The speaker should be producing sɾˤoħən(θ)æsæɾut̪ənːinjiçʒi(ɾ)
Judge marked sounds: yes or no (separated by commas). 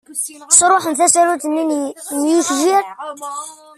yes, yes